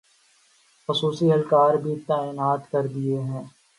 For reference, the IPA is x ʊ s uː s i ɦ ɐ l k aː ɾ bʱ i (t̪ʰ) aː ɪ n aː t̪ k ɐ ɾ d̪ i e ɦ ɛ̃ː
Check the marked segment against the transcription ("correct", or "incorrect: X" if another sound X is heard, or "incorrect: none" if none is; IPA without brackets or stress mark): incorrect: t̪